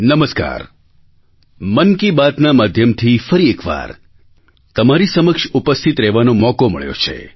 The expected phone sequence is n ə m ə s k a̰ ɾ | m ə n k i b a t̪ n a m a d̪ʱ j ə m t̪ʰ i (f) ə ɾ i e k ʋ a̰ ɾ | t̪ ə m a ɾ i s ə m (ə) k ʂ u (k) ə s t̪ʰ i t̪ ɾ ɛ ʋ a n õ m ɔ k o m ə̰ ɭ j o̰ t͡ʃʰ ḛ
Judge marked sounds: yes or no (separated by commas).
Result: yes, yes, no